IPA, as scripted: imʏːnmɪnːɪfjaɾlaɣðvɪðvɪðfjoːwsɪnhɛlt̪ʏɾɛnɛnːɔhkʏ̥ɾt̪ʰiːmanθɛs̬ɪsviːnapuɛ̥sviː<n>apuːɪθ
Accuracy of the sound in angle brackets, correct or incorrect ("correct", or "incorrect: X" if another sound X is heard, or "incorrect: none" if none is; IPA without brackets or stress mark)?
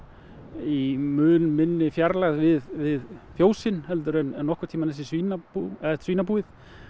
correct